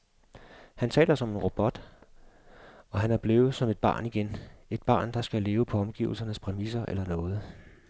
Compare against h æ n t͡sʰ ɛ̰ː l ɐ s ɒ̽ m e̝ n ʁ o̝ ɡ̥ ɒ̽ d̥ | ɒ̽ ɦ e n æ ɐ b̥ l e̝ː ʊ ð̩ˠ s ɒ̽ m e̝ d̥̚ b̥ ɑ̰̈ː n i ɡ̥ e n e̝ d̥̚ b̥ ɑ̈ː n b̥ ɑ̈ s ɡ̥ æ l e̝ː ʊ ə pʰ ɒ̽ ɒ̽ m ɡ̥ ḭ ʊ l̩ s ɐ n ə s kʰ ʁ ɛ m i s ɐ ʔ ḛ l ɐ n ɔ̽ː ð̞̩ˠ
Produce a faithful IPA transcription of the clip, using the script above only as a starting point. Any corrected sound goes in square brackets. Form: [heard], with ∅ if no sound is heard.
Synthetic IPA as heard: h æ n t͡sʰ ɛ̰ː l ɐ s ɒ̽ m e̝ n ʁ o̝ [b̥] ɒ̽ d̥ | ɒ̽ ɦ [æ] n æ ɐ b̥ l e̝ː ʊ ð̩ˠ s ɒ̽ m e̝ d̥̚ b̥ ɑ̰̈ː n i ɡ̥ e n e̝ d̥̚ b̥ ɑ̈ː n [d̥] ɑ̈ s ɡ̥ æ l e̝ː ʊ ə pʰ ɒ̽ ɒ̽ m ɡ̥ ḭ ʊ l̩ s ɐ n ə s [pʰ] ʁ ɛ m i s ɐ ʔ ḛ l ɐ n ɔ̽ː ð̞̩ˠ